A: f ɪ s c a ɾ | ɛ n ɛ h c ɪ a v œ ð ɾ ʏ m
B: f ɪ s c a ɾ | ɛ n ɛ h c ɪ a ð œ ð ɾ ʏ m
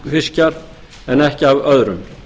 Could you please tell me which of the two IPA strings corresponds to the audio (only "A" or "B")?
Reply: A